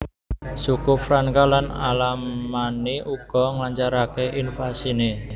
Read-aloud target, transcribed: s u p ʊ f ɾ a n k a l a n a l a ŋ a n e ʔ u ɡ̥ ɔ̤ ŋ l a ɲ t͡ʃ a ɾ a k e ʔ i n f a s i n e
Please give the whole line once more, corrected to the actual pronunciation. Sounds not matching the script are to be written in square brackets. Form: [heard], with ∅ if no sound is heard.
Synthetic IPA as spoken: s u [k] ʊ f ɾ a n k a l a n a l a [m] a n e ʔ u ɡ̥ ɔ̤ ŋ l a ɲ t͡ʃ a ɾ a k e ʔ i n f a s i n e